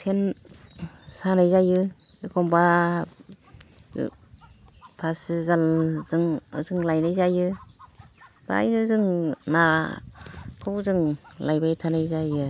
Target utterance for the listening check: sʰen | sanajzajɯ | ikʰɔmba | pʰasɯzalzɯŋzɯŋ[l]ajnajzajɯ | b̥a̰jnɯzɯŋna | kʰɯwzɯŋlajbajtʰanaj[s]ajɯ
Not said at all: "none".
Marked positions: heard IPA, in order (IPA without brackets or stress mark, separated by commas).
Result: l, z